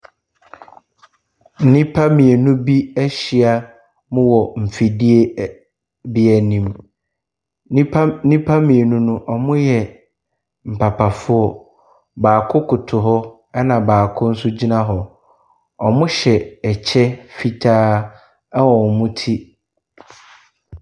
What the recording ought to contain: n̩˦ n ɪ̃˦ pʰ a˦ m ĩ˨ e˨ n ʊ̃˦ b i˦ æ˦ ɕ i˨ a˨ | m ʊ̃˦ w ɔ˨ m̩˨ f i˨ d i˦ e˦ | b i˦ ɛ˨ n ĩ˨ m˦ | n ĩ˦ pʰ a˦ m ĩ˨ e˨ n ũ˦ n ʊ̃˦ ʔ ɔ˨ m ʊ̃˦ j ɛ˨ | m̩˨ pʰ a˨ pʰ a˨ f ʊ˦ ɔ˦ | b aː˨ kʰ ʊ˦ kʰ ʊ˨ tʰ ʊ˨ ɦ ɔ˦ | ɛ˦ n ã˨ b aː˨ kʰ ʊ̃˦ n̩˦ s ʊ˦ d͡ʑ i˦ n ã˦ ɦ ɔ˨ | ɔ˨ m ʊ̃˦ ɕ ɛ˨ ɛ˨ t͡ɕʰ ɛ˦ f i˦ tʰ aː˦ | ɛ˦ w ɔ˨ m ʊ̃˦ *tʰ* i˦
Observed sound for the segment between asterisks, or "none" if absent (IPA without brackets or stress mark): tʰ